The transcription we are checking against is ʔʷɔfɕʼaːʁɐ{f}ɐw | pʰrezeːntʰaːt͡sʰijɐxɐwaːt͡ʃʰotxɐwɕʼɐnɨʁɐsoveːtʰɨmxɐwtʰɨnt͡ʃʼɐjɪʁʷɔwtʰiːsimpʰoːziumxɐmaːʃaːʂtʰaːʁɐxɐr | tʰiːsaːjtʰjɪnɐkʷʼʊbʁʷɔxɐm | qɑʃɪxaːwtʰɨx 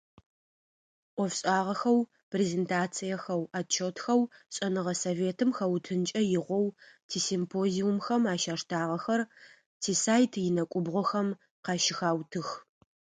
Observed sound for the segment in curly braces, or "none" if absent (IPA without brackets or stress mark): x